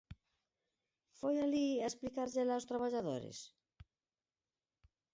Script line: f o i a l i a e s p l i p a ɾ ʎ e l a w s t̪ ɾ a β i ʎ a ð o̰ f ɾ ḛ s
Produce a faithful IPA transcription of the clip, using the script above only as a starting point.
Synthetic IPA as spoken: f o j a l i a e s p l i k a ɾ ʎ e l a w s t̪ ɾ a β a ʎ a ð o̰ ɾ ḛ s